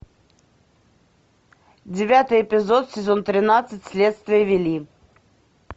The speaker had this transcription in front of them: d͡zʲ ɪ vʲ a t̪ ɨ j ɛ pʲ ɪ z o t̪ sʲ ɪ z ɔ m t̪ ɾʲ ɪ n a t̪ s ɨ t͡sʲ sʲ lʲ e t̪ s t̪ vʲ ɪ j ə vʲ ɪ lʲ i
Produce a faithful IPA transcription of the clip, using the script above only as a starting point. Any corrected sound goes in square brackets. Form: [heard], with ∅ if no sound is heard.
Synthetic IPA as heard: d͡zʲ ɪ vʲ a t̪ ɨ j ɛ pʲ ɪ z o t̪ sʲ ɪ z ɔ [n] t̪ ɾʲ ɪ n a t̪ s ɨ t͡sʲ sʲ lʲ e t̪ s t̪ vʲ ɪ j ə vʲ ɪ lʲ i